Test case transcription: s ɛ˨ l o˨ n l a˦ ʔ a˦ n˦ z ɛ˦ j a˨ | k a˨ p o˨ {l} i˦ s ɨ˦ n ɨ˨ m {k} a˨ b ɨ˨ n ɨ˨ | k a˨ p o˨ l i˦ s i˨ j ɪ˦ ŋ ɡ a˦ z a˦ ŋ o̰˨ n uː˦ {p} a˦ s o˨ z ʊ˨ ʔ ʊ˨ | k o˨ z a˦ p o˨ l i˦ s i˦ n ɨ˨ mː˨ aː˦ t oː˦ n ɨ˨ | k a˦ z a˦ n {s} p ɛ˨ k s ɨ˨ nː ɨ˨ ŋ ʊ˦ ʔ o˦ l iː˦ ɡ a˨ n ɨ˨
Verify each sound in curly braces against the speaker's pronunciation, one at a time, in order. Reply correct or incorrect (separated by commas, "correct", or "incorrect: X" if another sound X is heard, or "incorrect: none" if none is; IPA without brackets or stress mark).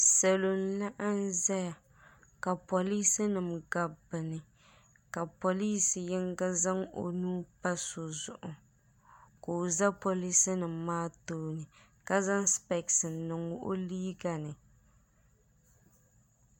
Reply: correct, incorrect: ɡ, correct, correct